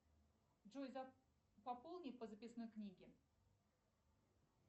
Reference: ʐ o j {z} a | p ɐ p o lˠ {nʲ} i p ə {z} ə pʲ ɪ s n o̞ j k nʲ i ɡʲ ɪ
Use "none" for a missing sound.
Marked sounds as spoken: z, nʲ, z

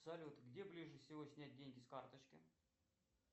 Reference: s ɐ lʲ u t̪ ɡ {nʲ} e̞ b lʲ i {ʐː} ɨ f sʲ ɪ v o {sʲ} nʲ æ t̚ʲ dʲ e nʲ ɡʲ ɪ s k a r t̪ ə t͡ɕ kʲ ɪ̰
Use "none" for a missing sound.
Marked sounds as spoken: dʲ, ʐ, sʲ

